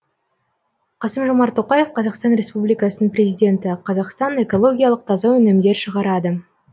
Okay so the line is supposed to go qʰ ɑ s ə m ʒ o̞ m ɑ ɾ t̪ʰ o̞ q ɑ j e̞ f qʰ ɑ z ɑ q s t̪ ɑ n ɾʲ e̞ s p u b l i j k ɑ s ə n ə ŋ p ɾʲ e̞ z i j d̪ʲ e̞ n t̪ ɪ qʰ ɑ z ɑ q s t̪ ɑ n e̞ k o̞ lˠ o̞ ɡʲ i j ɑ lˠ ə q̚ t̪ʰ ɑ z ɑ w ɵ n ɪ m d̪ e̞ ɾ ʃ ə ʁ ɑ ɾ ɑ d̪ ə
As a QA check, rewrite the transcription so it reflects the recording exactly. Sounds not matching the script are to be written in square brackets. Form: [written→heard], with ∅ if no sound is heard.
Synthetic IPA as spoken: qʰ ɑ s ə m ʒ o̞ m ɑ ɾ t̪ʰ o̞ q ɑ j e̞ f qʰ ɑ z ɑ q s t̪ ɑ n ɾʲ e̞ s p u b l i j k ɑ s ə n ə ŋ p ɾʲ e̞ z i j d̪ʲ e̞ n t̪ ɪ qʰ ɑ z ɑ q s t̪ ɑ n e̞ k o̞ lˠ o̞ ɡʲ i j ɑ lˠ ə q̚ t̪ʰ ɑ z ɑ w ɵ n ɪ m d̪ e̞ ɾ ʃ ə ʁ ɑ ɾ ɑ d̪ ə